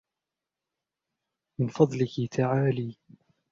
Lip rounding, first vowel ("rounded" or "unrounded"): unrounded